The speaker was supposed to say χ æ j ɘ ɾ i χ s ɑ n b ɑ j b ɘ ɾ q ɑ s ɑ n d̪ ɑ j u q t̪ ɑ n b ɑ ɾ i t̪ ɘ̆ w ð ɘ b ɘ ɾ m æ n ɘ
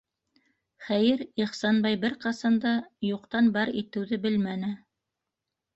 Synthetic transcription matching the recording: χ æ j ɘ ɾ i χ s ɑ n b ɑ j b ɘ ɾ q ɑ s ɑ n d̪ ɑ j u q t̪ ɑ n b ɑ ɾ i t̪ ɘ̆ w ð ɘ b ɘ l m æ n ɘ